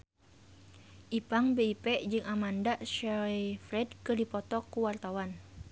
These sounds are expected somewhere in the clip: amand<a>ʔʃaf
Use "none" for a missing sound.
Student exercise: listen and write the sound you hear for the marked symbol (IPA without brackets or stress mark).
a